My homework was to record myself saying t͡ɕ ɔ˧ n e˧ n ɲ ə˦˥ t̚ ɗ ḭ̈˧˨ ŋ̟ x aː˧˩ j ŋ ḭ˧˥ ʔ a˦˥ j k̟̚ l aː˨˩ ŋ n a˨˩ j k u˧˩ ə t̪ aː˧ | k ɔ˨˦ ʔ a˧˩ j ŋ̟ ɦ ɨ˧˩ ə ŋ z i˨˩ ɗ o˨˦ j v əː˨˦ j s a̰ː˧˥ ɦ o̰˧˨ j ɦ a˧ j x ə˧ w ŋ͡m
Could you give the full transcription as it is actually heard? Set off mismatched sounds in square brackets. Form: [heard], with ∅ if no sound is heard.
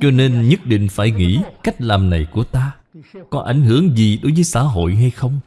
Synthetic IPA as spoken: t͡ɕ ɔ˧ n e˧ n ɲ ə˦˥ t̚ ɗ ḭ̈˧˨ ŋ̟ [f] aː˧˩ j ŋ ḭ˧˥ [k] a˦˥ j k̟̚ l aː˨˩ [m] n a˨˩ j k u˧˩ ə t̪ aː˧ | k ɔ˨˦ ʔ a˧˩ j ŋ̟ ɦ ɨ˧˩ ə ŋ z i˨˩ ɗ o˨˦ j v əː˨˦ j s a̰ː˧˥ ɦ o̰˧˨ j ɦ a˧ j x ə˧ w ŋ͡m